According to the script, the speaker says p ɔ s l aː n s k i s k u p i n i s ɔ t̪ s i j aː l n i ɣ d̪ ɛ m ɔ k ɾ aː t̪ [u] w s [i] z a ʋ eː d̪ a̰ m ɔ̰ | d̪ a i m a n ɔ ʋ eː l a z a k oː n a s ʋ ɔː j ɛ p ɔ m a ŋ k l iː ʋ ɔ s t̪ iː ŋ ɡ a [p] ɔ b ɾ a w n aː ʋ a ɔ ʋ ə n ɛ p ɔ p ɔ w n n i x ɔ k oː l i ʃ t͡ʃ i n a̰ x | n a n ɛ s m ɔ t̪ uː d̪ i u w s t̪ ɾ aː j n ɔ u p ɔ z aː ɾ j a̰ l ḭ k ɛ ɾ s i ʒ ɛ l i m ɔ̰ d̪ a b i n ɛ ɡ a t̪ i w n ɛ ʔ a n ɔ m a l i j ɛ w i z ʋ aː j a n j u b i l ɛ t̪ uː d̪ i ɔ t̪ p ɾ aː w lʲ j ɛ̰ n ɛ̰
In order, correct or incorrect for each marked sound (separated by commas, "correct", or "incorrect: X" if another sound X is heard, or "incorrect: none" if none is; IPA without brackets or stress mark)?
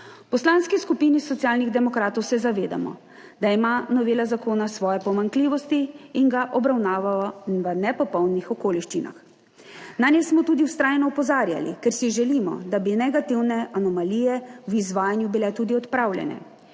incorrect: ɔ, incorrect: ɛ, incorrect: ʔ